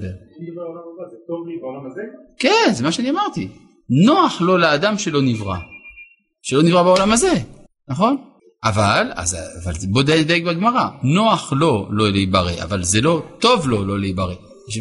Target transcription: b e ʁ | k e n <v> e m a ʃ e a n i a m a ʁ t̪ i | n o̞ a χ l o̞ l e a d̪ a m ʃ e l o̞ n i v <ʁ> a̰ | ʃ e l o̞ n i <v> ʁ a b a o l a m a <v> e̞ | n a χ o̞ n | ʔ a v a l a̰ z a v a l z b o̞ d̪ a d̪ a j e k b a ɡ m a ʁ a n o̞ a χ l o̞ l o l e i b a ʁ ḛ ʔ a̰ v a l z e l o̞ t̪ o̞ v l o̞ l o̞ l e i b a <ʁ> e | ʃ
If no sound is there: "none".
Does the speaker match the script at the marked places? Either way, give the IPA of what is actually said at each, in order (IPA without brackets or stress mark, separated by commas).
z, ʁ, v, z, ʁ